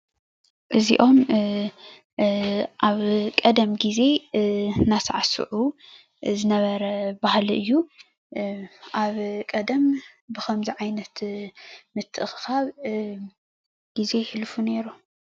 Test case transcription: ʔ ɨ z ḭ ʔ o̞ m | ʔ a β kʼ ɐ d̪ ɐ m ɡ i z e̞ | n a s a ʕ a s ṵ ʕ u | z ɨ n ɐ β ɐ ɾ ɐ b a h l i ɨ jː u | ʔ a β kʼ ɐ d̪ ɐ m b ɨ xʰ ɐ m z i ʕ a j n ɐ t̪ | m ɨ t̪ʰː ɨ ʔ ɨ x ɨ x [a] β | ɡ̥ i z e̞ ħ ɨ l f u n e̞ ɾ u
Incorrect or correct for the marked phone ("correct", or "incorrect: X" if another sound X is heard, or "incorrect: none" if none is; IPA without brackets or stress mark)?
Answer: correct